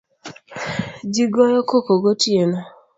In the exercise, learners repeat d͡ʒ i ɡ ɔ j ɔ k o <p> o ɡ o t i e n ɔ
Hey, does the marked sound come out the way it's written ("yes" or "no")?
no